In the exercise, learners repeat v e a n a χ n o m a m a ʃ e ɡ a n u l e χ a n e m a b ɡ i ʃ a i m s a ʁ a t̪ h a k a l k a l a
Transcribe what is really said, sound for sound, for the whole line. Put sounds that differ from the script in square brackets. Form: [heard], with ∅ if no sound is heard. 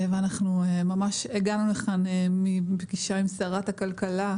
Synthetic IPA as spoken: v e a n a χ n [u] m a m a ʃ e ɡ a n u l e χ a n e m [i] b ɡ i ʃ a i m s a ʁ a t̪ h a k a l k a l a